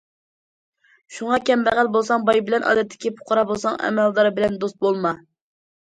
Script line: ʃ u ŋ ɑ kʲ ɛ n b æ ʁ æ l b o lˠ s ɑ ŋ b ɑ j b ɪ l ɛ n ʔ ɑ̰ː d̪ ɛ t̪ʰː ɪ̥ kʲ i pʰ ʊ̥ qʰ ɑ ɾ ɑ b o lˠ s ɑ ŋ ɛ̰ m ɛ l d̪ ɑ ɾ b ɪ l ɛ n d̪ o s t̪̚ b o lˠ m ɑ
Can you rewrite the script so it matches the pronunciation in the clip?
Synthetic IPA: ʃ u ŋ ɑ kʲ ɛ m b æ ʁ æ l b o lˠ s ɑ ŋ b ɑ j b ɪ l ɛ n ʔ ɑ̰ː d̪ ɛ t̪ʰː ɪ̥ kʲ i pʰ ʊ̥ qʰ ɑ ɾ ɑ b o lˠ s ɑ ŋ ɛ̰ m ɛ l d̪ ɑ ɾ b ɪ l ɛ n d̪ o s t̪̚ b o lˠ m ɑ